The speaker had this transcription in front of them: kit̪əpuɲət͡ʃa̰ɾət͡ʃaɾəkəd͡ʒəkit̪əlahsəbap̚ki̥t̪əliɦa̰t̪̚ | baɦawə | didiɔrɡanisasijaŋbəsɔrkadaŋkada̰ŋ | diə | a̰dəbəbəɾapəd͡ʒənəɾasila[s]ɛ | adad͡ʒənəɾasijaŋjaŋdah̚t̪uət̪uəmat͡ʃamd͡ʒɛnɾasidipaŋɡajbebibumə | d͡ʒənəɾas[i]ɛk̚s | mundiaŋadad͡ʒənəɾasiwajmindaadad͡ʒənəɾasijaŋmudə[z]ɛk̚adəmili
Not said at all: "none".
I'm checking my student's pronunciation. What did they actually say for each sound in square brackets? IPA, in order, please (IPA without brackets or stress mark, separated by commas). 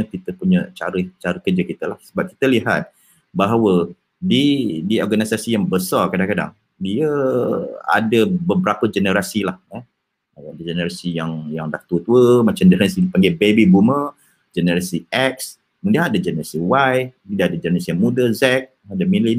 h, i, z